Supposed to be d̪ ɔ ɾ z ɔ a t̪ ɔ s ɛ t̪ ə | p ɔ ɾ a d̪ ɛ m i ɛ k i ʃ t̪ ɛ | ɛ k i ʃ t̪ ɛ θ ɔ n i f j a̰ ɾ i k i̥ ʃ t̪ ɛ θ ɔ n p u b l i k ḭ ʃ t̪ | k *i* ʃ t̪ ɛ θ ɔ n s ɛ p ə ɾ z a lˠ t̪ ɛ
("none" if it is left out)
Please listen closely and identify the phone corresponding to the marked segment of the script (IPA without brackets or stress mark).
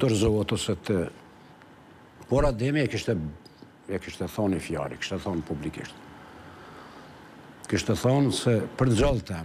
i